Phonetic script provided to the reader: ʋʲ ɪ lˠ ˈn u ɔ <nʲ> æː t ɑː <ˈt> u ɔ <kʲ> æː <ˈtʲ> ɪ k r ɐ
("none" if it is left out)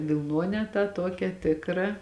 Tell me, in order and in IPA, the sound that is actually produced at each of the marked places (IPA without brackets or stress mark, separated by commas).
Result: nʲ, t, kʲ, tʲ